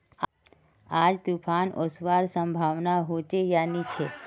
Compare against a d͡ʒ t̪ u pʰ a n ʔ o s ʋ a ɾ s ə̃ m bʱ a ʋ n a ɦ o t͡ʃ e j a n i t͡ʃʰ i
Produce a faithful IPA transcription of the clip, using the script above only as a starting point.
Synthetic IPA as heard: a d͡ʒ t̪ u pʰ a n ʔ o s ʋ a ɾ s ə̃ m bʱ a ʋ n a ɦ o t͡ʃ e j a n i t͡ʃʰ e